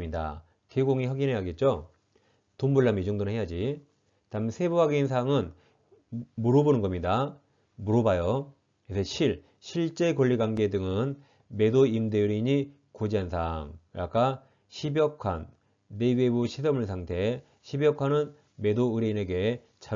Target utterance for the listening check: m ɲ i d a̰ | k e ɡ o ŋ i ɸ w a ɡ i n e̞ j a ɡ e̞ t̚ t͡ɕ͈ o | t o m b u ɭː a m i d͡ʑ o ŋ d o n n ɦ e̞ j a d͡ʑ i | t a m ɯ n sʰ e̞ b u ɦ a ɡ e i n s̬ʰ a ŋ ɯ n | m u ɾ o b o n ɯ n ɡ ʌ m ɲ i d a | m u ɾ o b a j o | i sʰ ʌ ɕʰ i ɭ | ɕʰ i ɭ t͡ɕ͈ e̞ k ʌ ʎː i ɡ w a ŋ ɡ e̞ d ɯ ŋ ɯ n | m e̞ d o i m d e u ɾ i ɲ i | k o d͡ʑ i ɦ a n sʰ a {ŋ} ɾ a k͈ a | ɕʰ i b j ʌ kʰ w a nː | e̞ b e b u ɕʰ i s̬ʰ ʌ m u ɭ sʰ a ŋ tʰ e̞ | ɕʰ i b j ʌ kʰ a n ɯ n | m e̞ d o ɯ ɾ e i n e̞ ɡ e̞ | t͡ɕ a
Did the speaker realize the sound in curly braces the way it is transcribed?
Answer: yes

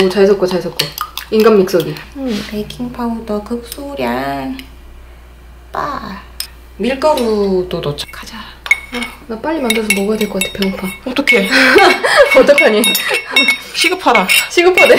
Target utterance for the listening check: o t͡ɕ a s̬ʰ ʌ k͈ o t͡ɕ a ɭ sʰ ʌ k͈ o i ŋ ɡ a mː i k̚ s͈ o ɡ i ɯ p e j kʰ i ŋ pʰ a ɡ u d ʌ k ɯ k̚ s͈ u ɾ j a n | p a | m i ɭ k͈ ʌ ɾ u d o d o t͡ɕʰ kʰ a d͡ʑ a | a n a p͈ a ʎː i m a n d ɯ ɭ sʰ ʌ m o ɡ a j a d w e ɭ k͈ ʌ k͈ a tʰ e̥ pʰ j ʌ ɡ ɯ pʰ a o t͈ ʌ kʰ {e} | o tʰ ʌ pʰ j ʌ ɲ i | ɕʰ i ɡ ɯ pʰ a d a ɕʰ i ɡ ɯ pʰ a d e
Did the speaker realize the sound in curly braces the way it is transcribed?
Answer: yes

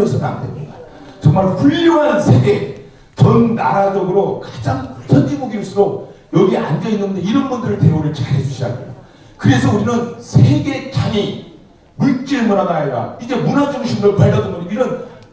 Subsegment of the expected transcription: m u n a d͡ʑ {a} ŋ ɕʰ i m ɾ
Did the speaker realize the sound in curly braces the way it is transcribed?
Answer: no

